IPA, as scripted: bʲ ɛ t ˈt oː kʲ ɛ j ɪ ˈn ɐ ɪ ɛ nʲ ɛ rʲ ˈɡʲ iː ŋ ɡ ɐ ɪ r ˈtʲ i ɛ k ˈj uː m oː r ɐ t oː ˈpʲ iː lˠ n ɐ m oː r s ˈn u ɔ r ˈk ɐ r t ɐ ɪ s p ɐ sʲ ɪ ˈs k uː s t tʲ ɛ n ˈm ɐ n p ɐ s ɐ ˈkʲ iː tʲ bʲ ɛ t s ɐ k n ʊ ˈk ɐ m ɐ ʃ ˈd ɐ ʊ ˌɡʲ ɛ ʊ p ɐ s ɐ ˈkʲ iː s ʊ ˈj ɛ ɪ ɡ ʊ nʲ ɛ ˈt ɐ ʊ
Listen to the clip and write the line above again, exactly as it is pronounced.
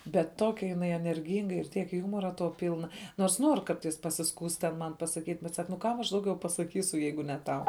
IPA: bʲ ɛ t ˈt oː kʲ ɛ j ɪ ˈn ɐ ɪ ɛ nʲ ɛ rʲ ˈɡʲ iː ŋ ɡ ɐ ɪ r ˈtʲ i ɛ k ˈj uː m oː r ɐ t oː ˈpʲ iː lˠ n ɐ n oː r s ˈn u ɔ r ˈk ɐ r t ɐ ɪ s p ɐ sʲ ɪ ˈs k uː s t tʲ ɛ n ˈm ɐ n p ɐ s ɐ ˈkʲ iː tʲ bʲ ɛ t s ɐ k n ʊ ˈk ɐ m ɐ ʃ ˈd ɐ ʊ ˌɡʲ ɛ ʊ p ɐ s ɐ ˈkʲ iː s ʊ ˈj ɛ ɪ ɡ ʊ nʲ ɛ ˈt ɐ ʊ